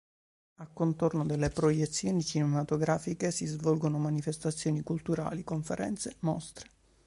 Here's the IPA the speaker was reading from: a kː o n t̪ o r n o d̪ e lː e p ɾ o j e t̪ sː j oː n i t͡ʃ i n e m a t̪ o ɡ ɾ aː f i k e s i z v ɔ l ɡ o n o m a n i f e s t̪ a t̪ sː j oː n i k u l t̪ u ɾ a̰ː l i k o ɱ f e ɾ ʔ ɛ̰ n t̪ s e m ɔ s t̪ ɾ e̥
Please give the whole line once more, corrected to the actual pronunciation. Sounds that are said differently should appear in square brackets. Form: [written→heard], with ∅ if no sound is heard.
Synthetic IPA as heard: a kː o n t̪ o r n o d̪ e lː e p ɾ o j e t̪ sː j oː n i t͡ʃ i n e m a t̪ o ɡ ɾ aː f i k e s i z v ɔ l ɡ o n o m a n i f e s t̪ a t̪ sː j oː n i k u l t̪ u ɾ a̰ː l i k o ɱ f e ɾ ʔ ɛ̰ n t̪ s e m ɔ s t̪ ɾ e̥